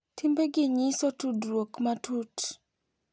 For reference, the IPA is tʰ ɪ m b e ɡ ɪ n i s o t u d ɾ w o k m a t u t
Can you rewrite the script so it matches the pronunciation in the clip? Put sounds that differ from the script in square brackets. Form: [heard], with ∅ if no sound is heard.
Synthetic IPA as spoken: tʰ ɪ m b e ɡ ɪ [ɲ] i s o t u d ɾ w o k m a t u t